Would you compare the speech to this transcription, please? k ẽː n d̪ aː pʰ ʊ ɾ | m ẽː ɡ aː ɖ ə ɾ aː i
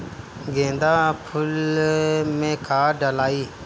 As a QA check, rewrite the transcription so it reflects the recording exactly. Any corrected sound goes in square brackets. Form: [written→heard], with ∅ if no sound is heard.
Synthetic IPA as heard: [k→ɡ] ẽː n d̪ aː pʰ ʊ [ɾ→l] | m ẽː [ɡ→k] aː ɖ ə [ɾ→l] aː [i→iː]